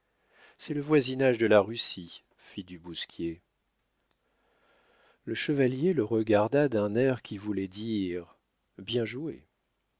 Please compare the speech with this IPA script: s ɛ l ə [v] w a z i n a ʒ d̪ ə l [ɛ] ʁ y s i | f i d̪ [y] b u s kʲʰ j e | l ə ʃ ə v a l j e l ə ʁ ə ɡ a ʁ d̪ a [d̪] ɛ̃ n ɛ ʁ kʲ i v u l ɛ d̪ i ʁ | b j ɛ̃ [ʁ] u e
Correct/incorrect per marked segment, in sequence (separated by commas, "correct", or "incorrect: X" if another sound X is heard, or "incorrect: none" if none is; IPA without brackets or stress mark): correct, incorrect: a, correct, correct, incorrect: ʒ